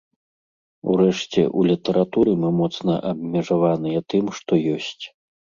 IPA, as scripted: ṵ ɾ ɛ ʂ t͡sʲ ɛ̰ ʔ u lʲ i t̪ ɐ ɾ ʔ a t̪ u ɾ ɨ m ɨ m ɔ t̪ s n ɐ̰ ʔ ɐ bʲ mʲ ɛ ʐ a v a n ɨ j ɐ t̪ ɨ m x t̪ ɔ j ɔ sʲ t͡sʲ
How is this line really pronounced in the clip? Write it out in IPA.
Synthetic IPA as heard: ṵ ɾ ɛ ʂ t͡sʲ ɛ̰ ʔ u lʲ i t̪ ɐ ɾ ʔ a t̪ u ɾ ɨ m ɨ m ɔ t̪ s n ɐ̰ ʔ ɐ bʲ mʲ ɛ ʐ a v a n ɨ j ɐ t̪ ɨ m ʂ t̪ ɔ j ɔ sʲ t͡sʲ